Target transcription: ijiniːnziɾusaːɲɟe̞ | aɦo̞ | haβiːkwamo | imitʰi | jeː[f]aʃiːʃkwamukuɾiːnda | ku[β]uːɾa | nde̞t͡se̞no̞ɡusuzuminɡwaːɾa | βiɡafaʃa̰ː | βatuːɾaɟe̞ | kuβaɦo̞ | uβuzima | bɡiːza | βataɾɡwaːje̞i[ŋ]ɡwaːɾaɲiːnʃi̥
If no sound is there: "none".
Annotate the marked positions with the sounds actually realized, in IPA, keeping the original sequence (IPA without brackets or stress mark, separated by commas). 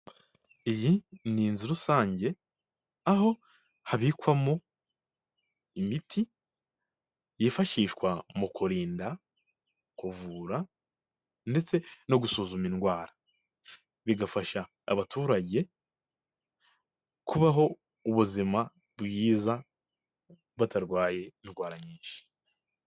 f, v, n